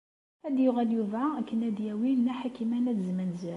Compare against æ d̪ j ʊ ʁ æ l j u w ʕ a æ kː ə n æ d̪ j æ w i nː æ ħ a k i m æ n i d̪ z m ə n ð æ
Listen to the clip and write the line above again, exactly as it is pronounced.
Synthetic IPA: æ d̪ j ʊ ʁ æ l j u v ʕ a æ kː ə n æ d̪ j æ w i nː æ ħ a k i m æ n æ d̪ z m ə n z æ